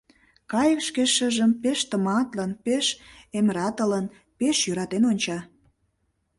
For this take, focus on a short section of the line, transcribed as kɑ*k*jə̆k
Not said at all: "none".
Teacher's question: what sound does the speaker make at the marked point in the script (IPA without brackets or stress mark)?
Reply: none